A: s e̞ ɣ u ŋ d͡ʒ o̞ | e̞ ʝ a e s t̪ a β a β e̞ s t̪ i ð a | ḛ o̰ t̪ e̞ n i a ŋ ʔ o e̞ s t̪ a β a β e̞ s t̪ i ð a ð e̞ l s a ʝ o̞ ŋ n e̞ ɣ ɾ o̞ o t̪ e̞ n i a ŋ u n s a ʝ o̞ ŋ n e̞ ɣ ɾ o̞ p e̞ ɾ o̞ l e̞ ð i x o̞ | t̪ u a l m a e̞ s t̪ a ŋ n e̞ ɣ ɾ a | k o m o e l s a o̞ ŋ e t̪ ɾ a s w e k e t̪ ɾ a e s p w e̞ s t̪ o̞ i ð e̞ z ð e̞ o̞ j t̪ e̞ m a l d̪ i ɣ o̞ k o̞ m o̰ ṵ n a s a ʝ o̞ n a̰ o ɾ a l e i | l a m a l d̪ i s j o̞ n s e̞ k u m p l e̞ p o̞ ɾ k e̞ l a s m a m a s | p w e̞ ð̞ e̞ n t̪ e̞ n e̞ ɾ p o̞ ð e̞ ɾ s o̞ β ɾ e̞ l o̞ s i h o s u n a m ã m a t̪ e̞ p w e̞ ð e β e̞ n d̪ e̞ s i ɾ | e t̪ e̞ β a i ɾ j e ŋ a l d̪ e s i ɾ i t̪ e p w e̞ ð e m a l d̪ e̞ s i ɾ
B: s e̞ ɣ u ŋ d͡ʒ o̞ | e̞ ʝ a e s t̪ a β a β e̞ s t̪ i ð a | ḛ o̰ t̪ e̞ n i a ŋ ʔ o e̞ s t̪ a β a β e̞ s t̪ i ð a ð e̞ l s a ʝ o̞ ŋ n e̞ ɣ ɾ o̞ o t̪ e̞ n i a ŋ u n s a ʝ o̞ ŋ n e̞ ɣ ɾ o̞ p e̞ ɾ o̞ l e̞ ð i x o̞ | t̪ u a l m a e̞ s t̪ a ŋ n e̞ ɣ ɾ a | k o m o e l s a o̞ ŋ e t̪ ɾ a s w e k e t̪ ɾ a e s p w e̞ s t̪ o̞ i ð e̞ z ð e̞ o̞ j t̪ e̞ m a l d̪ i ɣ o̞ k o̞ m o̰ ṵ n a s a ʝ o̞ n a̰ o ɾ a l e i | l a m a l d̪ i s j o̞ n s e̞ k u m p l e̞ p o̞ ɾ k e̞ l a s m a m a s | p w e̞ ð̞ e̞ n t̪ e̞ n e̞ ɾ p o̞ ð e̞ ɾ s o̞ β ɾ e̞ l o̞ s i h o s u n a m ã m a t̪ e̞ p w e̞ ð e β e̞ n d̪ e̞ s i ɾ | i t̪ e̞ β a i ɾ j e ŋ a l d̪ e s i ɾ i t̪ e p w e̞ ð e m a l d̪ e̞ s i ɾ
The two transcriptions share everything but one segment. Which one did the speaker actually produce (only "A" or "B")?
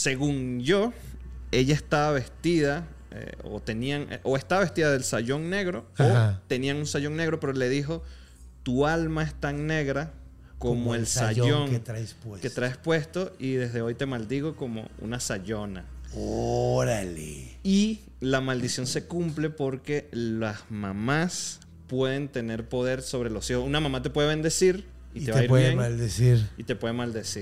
B